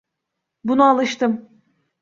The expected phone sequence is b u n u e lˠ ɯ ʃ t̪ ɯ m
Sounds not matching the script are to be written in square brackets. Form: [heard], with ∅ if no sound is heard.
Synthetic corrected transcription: b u n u [a] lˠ ɯ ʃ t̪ ɯ m